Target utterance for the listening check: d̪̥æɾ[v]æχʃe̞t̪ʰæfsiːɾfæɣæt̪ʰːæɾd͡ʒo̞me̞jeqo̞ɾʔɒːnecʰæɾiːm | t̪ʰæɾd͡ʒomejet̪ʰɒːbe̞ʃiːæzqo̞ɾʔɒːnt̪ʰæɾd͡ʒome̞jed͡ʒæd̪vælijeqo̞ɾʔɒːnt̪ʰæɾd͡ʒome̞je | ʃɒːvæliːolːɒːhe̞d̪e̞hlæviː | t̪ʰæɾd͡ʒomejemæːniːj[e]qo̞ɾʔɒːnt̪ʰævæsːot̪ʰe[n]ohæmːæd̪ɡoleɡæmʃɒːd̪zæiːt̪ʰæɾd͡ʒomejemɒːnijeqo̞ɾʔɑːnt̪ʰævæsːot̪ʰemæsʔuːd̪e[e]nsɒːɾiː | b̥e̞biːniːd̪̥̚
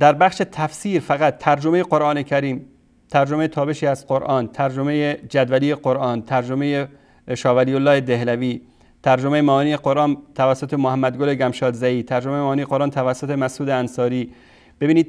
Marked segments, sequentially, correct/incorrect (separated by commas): incorrect, correct, incorrect, incorrect